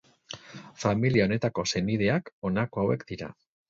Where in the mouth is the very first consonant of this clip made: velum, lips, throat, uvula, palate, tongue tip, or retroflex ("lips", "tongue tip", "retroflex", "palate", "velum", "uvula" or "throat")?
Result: lips